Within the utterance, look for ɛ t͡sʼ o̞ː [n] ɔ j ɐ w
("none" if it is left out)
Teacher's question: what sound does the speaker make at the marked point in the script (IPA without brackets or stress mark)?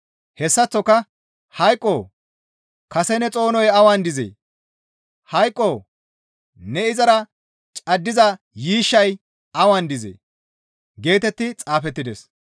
n